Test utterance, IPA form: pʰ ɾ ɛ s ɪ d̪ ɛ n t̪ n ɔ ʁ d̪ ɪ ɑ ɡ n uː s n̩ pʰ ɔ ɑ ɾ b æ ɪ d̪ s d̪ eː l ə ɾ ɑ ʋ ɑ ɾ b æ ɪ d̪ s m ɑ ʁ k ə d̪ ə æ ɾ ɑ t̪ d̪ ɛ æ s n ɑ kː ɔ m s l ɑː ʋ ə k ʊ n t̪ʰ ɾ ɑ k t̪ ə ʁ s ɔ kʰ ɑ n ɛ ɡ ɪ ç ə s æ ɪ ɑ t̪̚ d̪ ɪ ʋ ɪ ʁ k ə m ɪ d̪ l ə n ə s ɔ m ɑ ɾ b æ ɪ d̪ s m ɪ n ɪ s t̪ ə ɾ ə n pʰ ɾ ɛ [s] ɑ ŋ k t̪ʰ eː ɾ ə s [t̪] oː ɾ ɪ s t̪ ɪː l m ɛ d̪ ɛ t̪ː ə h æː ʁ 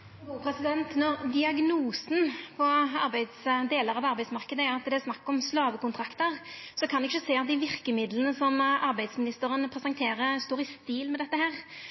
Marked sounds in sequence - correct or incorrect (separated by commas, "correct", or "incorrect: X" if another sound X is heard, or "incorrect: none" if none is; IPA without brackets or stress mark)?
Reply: correct, correct